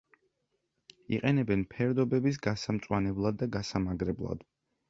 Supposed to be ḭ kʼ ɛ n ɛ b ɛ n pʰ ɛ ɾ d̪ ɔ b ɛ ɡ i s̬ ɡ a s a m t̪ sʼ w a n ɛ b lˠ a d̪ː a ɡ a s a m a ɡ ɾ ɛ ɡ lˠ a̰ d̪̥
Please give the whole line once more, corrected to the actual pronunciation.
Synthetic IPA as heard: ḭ qʼ ɛ n ɛ b ɛ n pʰ ɛ ɾ d̪ ɔ b ɛ b i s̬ ɡ a s a m t̪ sʼ w a n ɛ b lˠ a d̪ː a ɡ a s a m a ɡ ɾ ɛ b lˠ a̰ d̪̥